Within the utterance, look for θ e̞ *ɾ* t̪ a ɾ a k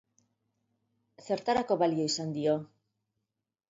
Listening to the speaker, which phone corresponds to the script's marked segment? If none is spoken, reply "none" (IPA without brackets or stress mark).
ɾ